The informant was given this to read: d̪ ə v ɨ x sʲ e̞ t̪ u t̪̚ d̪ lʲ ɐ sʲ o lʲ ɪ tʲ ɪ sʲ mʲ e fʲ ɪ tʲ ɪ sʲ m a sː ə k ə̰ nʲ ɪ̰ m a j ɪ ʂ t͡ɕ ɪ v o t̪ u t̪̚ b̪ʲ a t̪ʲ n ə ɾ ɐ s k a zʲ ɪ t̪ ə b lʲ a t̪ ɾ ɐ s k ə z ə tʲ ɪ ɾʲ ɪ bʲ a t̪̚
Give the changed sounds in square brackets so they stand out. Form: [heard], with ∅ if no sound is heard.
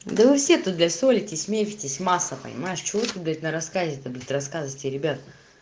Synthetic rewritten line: d̪ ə v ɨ [f] sʲ e̞ t̪ u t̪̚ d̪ lʲ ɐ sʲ o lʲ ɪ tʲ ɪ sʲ mʲ e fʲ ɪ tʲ ɪ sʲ m a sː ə [p] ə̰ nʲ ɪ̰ m a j ɪ ʂ t͡ɕ ɪ v o t̪ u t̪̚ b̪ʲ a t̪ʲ n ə ɾ ɐ s k a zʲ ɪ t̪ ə b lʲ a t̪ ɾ ɐ s k [a] z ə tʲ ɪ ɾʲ ɪ bʲ a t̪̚